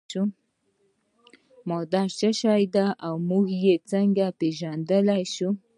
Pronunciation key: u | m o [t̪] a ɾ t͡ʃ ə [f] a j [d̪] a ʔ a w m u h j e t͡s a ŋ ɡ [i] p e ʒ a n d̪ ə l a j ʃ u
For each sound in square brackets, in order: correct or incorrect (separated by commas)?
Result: incorrect, incorrect, correct, incorrect